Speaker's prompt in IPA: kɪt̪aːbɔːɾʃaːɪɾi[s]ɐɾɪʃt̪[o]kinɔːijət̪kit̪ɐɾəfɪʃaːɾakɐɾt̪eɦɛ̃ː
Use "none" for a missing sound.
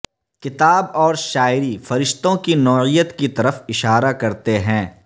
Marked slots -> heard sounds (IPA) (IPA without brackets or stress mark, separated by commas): f, õ